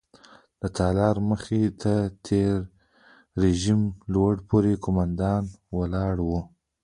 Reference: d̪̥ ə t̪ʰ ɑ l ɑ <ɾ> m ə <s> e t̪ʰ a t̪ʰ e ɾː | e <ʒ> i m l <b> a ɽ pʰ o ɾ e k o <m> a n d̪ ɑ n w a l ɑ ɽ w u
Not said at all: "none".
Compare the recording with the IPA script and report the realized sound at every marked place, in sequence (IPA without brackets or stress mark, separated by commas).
ɾ, x, ʒ, w, m